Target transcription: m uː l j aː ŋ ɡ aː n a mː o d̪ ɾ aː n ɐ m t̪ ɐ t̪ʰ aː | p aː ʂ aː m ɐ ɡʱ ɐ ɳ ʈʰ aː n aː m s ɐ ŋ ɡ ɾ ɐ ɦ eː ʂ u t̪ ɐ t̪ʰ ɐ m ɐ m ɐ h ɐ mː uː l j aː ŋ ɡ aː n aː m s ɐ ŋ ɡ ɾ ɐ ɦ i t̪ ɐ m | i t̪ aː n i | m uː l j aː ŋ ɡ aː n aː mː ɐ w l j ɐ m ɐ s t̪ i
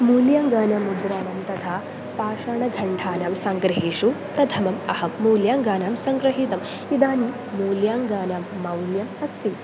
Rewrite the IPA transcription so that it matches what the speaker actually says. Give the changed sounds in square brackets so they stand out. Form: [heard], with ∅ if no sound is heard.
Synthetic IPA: m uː l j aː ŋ ɡ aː n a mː [u] d̪ ɾ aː n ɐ m t̪ ɐ t̪ʰ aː | p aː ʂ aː [ɳ] ɐ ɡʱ ɐ ɳ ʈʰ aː n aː m s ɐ ŋ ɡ ɾ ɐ ɦ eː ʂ u t̪ ɐ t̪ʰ ɐ m ɐ m ɐ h ɐ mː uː l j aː ŋ ɡ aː n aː m s ɐ ŋ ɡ ɾ ɐ ɦ i t̪ ɐ m | i [d̪] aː n i | m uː l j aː ŋ ɡ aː n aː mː ɐ w l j ɐ m ɐ s t̪ i